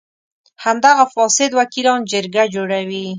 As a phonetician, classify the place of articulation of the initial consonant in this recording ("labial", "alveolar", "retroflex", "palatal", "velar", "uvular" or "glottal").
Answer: glottal